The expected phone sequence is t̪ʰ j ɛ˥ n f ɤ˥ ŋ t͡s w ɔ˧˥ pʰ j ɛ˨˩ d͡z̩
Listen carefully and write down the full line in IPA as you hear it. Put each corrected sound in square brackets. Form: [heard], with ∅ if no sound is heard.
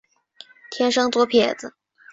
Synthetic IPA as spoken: t̪ʰ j ɛ˥ n [ʂ] ɤ˥ ŋ t͡s w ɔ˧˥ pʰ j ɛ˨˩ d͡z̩